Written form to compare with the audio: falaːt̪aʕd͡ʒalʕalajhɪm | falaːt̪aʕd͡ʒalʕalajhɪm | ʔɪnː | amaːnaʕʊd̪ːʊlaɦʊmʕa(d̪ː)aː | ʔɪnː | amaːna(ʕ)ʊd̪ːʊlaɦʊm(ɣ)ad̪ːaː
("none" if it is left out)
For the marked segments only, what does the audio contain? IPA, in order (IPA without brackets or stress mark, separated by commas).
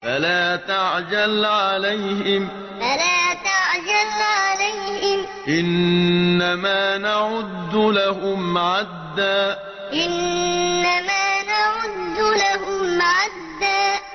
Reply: d̪ː, ʕ, ʕ